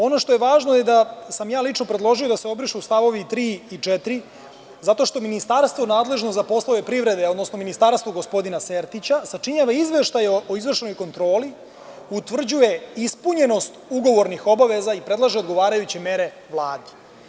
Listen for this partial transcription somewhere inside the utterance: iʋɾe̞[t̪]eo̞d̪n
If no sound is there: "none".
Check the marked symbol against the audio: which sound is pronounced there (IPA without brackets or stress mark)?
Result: d̪